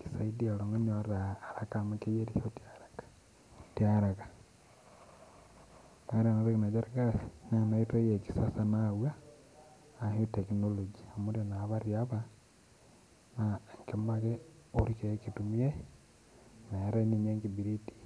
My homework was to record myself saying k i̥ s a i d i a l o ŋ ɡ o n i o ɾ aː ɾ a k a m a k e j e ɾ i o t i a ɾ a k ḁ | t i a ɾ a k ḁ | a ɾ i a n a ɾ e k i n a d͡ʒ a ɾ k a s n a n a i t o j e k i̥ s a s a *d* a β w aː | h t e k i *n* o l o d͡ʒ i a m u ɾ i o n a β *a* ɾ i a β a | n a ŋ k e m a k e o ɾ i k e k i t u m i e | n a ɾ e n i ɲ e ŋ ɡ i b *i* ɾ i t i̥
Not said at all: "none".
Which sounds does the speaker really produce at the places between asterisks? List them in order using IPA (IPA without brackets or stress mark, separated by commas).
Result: n, n, a, i